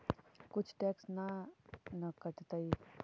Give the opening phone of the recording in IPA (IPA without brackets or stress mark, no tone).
k